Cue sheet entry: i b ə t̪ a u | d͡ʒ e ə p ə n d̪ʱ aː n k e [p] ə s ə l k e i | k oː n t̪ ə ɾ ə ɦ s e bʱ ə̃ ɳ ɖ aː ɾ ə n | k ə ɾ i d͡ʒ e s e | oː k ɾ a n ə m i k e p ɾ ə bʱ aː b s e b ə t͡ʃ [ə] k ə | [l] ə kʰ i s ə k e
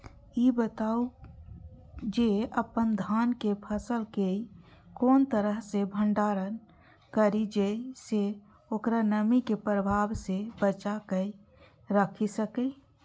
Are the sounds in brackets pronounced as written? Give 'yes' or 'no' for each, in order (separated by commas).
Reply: no, no, no